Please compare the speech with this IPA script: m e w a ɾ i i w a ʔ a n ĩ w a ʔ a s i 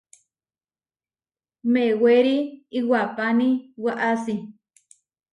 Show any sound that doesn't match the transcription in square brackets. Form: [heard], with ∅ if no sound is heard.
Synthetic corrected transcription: m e w [e] ɾ i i w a [p] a n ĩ w a ʔ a s i